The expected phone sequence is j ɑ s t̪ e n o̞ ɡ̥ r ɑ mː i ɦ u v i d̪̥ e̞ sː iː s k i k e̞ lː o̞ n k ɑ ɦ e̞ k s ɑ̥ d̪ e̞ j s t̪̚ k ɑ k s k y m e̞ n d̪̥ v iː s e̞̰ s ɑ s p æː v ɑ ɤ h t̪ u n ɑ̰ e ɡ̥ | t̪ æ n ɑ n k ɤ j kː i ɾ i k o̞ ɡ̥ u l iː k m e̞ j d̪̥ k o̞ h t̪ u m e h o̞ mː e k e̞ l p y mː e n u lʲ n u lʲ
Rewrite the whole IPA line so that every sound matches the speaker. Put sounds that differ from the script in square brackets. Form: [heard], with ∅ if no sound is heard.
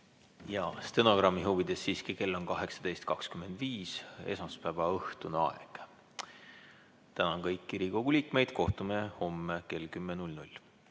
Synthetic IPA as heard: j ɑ s t̪ e n o̞ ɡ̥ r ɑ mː i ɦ u v i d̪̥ e̞ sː iː s k i k e̞ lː o̞ n k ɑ ɦ e̞ k s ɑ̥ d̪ e̞ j s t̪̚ k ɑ k s k y m e̞ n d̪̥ v iː s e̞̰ s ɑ s p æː v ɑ ɤ h t̪ u n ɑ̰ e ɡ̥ | t̪ æ n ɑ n k ɤ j kː i ɾ i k o̞ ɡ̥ u l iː k m e̞ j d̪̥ k o̞ h t̪ u m e h o̞ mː e k e̞ l [k] y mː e n u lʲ n u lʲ